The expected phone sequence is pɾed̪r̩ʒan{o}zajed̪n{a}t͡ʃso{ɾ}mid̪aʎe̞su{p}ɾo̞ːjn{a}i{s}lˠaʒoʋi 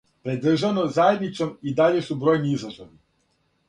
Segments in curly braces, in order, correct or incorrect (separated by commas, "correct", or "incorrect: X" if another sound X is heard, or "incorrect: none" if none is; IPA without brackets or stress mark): correct, incorrect: i, incorrect: none, incorrect: b, incorrect: i, incorrect: z